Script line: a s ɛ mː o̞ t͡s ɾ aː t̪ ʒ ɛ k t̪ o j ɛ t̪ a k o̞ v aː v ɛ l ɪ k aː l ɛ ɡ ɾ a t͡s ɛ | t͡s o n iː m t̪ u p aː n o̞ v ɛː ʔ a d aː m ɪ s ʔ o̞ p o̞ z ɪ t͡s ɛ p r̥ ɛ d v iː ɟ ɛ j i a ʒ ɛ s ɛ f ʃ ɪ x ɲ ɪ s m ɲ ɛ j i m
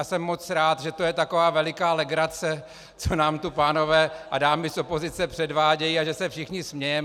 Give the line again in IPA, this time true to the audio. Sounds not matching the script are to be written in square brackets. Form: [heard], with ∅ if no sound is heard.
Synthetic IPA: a s ɛ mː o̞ t͡s ɾ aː t̪ ʒ ɛ [∅] t̪ o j ɛ t̪ a k o̞ v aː v ɛ l ɪ k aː l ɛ ɡ ɾ a t͡s ɛ | t͡s o n [aː] m t̪ u p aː n o̞ v ɛː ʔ a d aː m ɪ s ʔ o̞ p o̞ z ɪ t͡s ɛ p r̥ ɛ d v [aː] ɟ ɛ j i a ʒ ɛ s ɛ f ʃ ɪ x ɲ ɪ s m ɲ ɛ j [ɛ] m